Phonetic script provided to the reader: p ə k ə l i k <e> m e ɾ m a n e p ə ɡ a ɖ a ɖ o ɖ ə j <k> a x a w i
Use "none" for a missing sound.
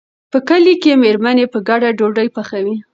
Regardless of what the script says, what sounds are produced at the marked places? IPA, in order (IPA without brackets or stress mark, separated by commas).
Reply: e, p